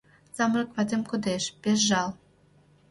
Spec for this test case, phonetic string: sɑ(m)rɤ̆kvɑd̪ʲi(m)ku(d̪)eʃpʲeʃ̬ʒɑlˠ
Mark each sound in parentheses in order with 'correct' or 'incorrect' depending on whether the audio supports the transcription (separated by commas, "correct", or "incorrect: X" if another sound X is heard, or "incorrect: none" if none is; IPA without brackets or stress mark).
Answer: correct, correct, correct